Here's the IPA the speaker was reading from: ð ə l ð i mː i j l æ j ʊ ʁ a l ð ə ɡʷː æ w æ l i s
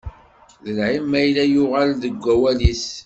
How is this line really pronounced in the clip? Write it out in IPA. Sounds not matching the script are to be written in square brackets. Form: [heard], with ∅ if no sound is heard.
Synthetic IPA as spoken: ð ə l [ʕ] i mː [æ] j l æ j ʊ ʁ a l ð ə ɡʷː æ w æ l i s

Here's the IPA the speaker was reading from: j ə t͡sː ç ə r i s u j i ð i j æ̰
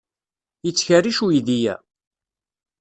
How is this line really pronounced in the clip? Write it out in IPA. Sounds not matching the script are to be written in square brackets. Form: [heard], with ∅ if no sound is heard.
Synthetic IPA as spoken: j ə t͡sː ç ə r i [ʃ] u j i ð i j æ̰

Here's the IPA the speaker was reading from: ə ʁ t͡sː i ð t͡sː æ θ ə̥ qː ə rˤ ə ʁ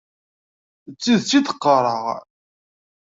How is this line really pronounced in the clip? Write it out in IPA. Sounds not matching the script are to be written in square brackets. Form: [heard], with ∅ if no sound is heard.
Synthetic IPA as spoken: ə [∅] t͡sː i ð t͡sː [i] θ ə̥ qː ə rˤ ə ʁ

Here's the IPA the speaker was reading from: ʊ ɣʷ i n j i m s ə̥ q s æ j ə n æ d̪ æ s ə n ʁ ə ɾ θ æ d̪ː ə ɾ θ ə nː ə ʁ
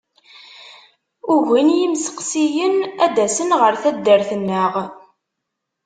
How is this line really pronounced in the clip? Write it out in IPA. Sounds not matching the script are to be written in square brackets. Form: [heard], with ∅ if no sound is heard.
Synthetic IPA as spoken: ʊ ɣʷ i n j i m s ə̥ q s [i] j ə n æ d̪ æ s ə n ʁ ə ɾ θ æ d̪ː ə ɾ θ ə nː ə ʁ

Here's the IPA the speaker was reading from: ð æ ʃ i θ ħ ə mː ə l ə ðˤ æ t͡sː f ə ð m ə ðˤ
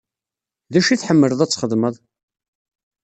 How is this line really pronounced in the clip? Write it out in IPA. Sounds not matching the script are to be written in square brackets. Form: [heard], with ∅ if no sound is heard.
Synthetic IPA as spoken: ð æ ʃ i θ ħ ə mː ə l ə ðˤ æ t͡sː [χ] ə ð m ə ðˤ

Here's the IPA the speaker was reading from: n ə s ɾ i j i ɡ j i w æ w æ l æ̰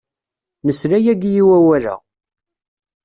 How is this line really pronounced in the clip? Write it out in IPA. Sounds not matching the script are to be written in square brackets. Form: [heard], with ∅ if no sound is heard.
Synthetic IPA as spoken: n ə s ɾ [æ] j [æ] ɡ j i w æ w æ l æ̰

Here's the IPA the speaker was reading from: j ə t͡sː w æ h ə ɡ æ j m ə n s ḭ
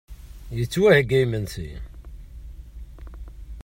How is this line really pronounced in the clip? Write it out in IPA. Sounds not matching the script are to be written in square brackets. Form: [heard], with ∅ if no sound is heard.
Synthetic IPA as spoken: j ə t͡sː w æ h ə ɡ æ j m ə n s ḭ

